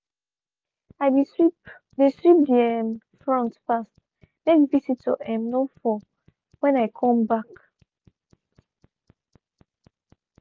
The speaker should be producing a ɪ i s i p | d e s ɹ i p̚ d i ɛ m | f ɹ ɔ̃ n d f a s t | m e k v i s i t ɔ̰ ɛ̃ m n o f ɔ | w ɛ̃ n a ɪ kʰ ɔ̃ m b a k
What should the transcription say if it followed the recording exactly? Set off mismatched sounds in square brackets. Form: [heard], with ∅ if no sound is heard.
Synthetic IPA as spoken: a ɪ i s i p | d e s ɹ i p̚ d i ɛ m | f ɹ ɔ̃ n [t] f a s t | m e k v i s i t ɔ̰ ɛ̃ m n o f ɔ | w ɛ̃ n a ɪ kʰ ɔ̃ m b a k